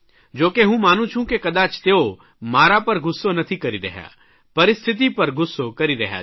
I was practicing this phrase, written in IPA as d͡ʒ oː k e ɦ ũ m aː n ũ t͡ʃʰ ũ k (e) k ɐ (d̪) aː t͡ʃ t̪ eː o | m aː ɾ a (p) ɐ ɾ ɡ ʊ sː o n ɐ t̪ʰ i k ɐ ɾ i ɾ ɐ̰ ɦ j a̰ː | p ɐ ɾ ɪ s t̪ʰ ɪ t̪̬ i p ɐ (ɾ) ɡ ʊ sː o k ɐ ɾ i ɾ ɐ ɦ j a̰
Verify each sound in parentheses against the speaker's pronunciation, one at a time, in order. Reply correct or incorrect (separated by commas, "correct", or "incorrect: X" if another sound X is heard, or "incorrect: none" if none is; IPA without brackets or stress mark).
correct, correct, correct, correct